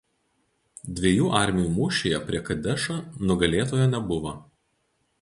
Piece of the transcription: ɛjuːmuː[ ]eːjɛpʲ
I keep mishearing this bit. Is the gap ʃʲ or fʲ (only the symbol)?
ʃʲ